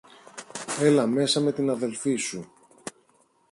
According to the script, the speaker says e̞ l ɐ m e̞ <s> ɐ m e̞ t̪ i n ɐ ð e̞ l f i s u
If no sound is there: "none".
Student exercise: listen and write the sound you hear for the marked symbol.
s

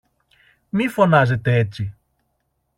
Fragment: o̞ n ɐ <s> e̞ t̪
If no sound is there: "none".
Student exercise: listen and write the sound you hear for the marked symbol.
z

